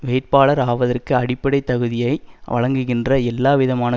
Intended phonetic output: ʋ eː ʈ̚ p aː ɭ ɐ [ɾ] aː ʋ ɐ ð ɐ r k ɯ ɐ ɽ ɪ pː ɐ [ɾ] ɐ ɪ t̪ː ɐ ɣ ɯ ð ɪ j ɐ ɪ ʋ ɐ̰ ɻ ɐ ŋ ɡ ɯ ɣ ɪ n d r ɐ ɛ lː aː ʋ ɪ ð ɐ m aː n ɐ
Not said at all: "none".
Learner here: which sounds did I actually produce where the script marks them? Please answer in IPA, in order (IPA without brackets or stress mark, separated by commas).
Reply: ɾ, ɽ